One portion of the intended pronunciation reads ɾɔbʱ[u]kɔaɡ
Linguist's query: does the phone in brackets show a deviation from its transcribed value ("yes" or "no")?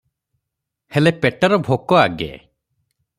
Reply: yes